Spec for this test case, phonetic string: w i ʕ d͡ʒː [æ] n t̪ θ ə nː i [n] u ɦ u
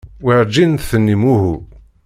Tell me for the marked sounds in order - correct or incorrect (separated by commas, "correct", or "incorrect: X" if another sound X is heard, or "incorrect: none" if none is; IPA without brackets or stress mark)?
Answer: incorrect: i, incorrect: m